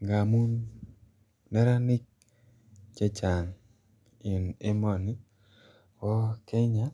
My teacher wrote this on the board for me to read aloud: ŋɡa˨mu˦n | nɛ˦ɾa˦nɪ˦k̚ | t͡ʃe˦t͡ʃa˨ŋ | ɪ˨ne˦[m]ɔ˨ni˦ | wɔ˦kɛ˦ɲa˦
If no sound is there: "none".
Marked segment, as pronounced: m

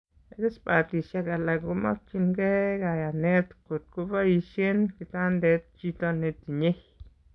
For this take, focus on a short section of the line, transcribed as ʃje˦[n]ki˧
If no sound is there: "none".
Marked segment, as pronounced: n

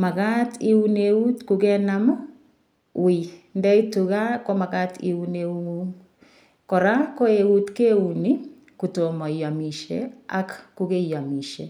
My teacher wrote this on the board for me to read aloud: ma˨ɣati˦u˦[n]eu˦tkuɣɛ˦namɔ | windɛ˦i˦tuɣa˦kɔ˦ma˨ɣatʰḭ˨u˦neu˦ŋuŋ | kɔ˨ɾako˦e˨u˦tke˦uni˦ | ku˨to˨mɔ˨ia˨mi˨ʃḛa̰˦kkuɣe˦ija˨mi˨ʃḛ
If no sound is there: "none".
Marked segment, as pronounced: n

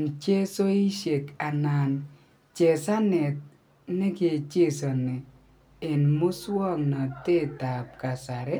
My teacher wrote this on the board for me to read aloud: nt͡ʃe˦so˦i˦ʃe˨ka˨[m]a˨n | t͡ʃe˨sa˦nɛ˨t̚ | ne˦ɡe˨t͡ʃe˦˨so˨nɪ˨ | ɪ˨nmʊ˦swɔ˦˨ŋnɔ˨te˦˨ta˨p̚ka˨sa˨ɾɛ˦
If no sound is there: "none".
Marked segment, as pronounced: n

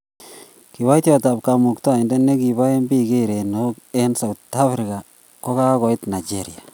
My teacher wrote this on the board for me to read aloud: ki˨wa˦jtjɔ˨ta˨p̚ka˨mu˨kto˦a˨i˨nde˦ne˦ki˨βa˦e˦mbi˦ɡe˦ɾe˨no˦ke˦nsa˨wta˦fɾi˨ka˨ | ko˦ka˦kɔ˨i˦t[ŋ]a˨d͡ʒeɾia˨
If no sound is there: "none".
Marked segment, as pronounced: n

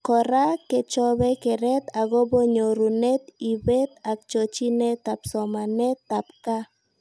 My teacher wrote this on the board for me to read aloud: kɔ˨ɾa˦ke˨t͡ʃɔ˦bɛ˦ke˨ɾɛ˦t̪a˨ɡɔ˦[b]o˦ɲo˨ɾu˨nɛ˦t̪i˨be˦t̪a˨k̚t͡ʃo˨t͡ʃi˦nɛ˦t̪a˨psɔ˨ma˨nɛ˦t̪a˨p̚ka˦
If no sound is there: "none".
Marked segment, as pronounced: b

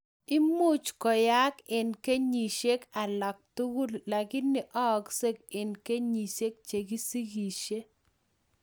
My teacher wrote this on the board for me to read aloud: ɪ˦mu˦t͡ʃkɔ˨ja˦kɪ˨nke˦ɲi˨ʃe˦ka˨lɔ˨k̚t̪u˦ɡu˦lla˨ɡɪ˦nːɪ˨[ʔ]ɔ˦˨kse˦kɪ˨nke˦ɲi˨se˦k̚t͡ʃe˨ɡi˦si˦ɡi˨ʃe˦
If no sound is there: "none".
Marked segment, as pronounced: ʔ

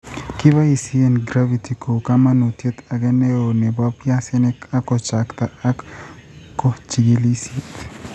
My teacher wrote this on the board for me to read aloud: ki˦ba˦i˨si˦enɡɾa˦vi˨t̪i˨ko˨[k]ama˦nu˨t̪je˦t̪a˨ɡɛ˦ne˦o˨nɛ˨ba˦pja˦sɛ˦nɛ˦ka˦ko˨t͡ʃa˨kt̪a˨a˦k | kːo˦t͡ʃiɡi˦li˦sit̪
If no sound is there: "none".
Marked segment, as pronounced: k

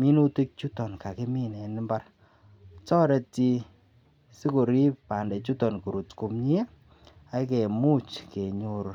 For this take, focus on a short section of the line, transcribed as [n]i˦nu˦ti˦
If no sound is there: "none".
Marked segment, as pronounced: m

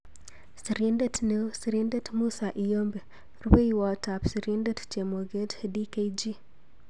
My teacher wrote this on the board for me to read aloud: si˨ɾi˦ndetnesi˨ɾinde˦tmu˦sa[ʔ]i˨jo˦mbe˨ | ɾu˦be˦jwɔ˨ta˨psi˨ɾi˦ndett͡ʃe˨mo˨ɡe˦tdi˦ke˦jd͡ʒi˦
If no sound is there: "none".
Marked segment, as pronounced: ʔ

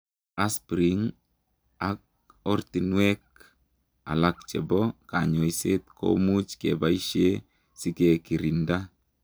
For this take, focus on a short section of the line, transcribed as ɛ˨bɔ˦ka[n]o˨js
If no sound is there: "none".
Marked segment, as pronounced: ɲ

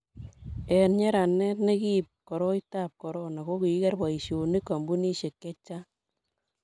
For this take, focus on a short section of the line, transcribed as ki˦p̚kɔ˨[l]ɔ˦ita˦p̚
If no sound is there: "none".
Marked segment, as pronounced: ɾ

